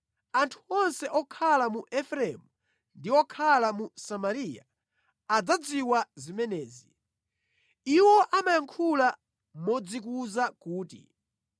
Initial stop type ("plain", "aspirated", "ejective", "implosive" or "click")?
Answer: aspirated